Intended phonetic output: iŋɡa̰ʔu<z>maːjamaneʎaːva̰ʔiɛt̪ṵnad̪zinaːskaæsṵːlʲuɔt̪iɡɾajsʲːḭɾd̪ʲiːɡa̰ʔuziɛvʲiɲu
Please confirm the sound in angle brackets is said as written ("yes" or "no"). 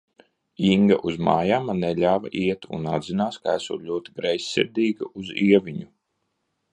yes